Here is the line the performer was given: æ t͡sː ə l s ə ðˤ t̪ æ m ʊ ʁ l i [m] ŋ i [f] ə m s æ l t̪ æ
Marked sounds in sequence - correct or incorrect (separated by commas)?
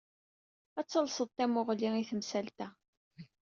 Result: incorrect, incorrect